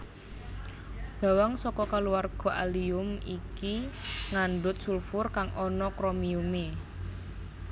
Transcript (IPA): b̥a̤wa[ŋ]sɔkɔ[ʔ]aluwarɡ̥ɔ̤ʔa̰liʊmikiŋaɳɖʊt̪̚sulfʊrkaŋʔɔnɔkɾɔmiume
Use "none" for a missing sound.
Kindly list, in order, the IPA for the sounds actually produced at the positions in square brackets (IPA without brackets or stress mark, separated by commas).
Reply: ŋ, k